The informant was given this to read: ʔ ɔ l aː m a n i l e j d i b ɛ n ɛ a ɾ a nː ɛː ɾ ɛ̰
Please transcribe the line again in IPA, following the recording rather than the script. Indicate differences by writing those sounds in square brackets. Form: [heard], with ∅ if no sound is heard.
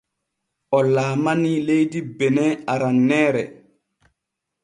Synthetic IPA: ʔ ɔ l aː m a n i l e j d i b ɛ n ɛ a ɾ a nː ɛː ɾ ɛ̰